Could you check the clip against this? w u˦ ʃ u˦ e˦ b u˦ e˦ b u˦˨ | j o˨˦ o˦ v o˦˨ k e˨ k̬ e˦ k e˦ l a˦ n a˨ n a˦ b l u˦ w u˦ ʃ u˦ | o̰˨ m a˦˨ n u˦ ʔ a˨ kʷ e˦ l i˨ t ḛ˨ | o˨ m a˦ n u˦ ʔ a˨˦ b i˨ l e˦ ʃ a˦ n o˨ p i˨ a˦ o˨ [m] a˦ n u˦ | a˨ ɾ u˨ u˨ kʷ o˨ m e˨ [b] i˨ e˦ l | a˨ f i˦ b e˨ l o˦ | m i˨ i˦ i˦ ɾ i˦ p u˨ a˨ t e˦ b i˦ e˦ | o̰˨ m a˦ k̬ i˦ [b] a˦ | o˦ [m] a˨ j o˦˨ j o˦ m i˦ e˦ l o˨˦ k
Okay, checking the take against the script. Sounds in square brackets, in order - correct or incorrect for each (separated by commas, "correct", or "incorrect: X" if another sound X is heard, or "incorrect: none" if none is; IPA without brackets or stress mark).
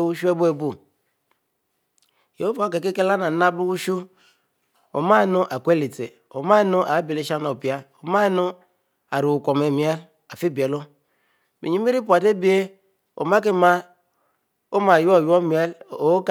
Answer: correct, incorrect: m, incorrect: m, correct